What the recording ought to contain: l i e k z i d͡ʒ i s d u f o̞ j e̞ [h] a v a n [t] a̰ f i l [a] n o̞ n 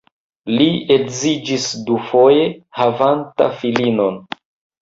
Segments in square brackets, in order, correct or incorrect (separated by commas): correct, correct, incorrect